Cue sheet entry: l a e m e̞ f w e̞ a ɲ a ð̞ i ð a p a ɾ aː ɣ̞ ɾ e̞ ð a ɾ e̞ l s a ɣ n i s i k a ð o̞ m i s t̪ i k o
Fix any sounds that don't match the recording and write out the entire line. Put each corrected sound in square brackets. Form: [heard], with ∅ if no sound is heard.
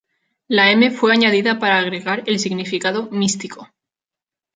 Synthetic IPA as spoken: l a e m e̞ f w e̞ a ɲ a ð̞ i ð a p a ɾ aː ɣ̞ ɾ e̞ [ɣ] a ɾ e̞ l s [i] ɣ n i [f] i k a ð o̞ m i s t̪ i k o